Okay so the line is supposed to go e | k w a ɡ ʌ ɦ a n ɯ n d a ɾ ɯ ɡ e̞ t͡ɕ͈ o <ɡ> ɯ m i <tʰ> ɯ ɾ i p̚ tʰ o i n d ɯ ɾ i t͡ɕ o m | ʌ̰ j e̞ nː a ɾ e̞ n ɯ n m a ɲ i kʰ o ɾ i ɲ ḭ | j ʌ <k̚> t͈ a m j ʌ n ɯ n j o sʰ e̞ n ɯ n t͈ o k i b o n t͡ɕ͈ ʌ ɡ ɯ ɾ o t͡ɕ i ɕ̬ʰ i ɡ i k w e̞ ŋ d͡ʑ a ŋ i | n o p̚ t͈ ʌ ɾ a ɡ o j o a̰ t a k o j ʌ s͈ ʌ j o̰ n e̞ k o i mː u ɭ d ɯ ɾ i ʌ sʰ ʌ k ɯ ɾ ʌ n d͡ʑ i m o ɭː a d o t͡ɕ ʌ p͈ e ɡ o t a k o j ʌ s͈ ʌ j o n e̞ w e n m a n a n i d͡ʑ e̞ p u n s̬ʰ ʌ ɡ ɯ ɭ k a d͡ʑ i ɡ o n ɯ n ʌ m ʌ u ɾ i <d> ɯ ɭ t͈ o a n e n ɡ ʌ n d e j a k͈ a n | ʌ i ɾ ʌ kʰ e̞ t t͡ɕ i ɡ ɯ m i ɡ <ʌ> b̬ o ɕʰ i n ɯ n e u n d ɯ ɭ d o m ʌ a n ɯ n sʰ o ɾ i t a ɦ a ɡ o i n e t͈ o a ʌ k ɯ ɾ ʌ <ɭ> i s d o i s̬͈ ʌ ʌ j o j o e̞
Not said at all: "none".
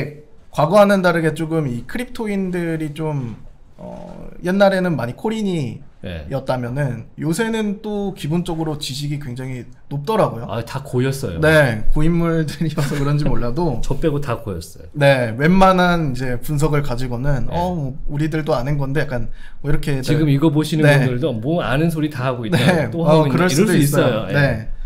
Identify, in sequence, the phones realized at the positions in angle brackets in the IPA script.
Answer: ɡ, kʰ, t̚, d, ʌ, ɭ

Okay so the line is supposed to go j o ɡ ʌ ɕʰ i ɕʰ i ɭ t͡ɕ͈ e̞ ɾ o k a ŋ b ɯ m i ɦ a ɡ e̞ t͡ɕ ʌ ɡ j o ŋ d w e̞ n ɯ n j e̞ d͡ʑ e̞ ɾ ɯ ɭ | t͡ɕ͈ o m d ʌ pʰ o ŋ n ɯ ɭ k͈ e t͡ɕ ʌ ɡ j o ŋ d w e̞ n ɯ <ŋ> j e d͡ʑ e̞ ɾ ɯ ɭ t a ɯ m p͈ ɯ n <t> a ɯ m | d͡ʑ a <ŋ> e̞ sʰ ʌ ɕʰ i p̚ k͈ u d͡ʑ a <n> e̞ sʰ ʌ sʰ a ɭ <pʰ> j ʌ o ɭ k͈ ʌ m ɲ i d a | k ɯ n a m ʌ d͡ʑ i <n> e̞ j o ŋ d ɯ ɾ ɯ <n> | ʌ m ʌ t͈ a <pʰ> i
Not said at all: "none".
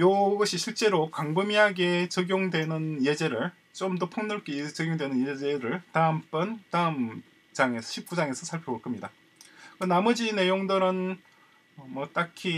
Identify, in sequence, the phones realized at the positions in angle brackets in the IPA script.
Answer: n, t, ŋ, ŋ, pʰ, n, n, kʰ

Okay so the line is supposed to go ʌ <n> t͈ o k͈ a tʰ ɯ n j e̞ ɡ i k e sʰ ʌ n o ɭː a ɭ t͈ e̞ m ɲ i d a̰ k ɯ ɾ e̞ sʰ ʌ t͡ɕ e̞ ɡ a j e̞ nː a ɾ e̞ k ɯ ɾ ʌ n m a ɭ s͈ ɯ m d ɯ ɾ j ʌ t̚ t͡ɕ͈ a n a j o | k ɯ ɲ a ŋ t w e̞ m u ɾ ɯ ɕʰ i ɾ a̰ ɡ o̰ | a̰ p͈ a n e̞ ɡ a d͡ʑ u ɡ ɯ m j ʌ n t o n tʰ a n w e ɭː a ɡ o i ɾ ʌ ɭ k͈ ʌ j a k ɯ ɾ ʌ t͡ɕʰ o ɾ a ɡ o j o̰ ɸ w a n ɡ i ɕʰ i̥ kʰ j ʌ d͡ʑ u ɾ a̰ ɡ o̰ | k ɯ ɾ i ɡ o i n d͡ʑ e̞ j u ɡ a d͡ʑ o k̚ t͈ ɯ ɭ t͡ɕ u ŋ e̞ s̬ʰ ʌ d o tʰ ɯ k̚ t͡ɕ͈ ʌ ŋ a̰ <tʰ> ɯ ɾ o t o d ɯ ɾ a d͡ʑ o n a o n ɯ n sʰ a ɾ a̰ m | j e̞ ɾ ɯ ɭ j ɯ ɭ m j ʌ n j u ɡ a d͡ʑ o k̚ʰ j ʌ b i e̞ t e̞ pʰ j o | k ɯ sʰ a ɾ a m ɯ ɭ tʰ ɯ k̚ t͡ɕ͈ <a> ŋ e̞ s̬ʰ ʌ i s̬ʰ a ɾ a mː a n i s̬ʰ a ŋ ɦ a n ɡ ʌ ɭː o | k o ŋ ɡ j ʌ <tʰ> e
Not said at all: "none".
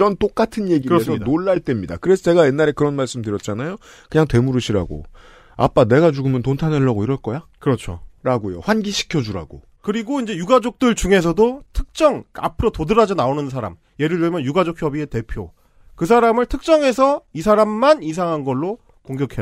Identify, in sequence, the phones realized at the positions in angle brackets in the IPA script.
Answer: n, pʰ, ʌ, kʰ

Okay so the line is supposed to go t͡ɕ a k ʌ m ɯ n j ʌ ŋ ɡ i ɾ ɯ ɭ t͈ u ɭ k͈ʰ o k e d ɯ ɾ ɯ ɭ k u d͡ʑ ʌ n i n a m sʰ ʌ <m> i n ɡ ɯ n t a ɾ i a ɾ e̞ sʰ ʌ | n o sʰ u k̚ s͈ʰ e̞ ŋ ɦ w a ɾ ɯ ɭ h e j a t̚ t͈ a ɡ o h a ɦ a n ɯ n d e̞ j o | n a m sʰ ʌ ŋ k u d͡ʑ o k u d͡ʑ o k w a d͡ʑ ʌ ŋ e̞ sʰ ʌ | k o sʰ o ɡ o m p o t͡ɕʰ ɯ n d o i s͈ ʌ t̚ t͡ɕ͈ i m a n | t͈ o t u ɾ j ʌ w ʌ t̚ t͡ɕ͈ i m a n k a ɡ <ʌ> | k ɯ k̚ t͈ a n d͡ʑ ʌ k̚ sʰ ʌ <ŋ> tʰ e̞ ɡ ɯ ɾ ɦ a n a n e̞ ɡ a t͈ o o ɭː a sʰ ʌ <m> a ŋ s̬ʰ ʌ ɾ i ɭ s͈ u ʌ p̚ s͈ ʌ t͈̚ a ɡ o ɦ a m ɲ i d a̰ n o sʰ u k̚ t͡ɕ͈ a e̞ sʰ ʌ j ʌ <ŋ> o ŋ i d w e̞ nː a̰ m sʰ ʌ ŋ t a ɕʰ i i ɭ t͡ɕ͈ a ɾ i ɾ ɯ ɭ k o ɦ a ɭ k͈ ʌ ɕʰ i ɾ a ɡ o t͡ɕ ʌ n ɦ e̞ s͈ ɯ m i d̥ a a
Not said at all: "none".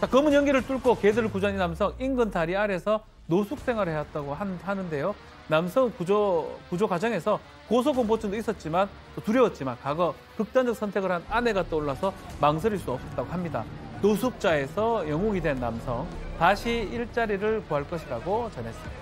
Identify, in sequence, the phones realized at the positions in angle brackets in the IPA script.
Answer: ŋ, ʌ, n, m, ŋ

